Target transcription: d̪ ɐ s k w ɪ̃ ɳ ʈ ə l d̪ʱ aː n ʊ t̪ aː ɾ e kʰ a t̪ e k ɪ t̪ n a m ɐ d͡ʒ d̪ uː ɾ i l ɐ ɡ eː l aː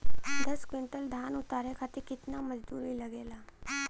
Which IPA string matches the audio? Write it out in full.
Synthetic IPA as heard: d̪ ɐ s k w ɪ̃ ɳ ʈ ə l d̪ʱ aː n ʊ t̪ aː ɾ e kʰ a t̪ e k ɪ t̪ n a m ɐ d͡ʒ d̪ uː ɾ i l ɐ ɡ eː l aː